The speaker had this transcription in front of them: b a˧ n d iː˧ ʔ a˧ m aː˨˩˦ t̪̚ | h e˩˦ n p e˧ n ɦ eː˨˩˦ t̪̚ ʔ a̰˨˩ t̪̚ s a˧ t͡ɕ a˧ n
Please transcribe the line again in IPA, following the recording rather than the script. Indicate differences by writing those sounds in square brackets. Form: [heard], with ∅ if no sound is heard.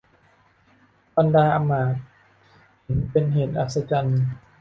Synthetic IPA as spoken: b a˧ n d [aː˧] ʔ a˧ m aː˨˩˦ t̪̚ | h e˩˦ n p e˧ n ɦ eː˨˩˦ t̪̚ ʔ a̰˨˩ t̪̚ s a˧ t͡ɕ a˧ n